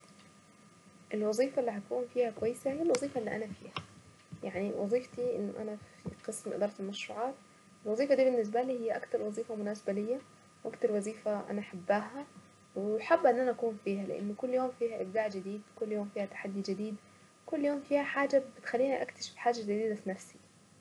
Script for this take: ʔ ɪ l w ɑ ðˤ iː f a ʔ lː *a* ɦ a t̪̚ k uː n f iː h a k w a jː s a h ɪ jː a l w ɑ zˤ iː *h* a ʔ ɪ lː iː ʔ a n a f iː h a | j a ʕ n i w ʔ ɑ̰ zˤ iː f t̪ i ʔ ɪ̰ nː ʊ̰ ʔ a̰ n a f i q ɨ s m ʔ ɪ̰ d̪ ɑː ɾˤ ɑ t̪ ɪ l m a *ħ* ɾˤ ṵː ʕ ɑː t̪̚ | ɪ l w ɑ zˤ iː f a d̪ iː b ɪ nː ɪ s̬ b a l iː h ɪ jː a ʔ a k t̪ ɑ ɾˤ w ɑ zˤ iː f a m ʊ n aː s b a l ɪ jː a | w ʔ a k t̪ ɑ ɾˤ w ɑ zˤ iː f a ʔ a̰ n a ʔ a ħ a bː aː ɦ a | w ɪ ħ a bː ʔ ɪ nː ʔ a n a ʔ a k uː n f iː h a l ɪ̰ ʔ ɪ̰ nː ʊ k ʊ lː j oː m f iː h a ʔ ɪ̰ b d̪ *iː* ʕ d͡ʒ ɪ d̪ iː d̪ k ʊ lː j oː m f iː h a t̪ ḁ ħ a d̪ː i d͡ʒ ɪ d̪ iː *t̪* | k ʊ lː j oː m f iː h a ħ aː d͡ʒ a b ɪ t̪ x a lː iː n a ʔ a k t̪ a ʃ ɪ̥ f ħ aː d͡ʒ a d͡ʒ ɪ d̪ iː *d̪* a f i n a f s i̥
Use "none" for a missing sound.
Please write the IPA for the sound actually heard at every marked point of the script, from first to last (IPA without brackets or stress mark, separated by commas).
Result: i, f, ʃ, aː, d̪, d̪